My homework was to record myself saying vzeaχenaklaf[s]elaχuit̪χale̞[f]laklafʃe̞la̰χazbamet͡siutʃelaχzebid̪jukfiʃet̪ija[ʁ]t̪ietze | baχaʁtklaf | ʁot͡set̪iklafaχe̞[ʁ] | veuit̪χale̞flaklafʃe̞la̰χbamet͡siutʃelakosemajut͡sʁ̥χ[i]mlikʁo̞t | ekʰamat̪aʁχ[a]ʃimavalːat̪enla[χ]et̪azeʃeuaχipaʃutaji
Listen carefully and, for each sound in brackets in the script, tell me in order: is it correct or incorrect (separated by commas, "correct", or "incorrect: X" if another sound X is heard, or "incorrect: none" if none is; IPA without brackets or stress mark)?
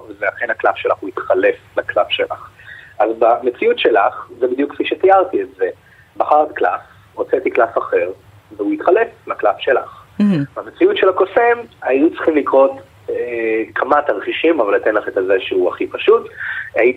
incorrect: ʃ, correct, correct, correct, correct, incorrect: i, correct